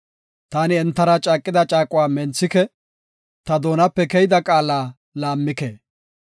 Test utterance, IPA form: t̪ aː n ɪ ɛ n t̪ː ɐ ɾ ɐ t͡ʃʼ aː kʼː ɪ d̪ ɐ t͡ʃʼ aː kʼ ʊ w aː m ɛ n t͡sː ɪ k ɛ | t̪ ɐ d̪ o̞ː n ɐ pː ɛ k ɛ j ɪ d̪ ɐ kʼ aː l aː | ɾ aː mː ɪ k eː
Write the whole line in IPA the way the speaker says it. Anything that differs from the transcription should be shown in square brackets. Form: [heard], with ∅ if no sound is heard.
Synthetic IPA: t̪ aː n ɪ ɛ n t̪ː ɐ ɾ ɐ t͡ʃʼ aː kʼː ɪ d̪ ɐ t͡ʃʼ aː kʼ ʊ w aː m ɛ n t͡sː ɪ k ɛ | t̪ ɐ d̪ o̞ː n ɐ pː ɛ k ɛ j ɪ d̪ ɐ kʼ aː l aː | [l] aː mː ɪ k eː